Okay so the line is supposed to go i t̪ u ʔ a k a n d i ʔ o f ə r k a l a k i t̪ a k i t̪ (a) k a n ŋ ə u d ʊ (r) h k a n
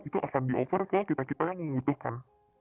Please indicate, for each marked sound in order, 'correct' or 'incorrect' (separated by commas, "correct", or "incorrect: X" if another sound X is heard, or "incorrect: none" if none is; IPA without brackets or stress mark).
correct, incorrect: none